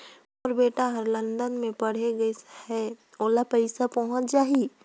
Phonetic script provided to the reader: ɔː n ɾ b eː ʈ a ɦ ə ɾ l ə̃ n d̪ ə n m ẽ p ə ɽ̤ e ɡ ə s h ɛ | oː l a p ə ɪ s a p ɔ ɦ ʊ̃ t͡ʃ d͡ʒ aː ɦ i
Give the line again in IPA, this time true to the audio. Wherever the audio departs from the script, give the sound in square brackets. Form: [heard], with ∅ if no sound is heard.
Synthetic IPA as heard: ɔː [∅] ɾ b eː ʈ a ɦ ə ɾ l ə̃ n d̪ ə n m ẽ p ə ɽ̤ e ɡ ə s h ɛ | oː l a p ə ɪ s a p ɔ ɦ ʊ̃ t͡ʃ d͡ʒ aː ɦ i